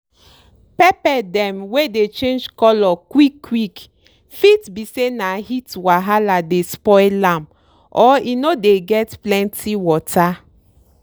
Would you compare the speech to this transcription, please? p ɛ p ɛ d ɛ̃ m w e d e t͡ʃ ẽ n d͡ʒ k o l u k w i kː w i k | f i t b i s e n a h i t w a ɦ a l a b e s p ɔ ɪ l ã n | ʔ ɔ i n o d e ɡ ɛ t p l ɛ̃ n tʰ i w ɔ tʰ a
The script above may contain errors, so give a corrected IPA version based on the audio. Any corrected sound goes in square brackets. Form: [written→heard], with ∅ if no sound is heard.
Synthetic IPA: p ɛ p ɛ d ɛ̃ m w e d e t͡ʃ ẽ n d͡ʒ k [o→ɔ] l [u→ɔ] k w i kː w i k | f i t b i s e n a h i t w a ɦ a l a [b→d] e s p ɔ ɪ l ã [n→m] | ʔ ɔ i n o d e ɡ ɛ t p l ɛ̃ n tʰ i w ɔ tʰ a